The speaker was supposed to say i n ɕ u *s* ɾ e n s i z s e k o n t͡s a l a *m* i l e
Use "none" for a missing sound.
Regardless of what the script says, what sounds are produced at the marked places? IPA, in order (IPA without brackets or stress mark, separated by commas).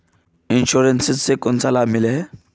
none, m